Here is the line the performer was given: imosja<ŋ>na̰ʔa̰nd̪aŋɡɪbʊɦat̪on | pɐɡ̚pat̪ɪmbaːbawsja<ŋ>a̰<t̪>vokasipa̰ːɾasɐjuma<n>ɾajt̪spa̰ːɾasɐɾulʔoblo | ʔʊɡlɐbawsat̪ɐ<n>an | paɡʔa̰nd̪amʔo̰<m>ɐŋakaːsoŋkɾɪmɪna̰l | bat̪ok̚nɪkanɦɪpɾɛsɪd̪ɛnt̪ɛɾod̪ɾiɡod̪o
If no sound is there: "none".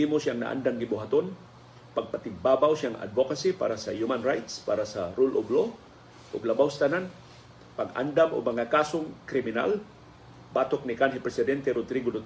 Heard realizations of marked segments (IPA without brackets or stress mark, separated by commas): ŋ, ŋ, d̪, n, n, m